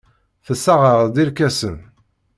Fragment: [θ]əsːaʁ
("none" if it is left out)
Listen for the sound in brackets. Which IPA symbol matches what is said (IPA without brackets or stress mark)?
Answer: θ